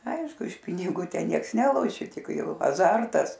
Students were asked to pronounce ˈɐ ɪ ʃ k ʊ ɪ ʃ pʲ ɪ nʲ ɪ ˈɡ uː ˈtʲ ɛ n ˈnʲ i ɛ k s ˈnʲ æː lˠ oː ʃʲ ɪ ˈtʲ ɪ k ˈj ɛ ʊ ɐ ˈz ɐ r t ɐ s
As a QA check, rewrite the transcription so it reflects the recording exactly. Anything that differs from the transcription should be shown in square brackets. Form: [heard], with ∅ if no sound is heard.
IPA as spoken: ˈɐ ɪ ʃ k ʊ ɪ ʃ pʲ ɪ nʲ ɪ ˈɡ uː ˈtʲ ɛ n ˈnʲ i ɛ k s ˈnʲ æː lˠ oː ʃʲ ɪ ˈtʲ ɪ k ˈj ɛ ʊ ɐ ˈz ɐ r t ɐ s